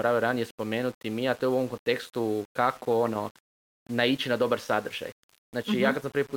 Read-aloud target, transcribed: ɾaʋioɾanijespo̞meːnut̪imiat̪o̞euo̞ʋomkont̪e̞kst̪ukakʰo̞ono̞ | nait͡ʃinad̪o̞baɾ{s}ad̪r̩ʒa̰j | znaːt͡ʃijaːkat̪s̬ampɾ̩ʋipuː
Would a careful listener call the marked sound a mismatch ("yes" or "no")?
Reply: no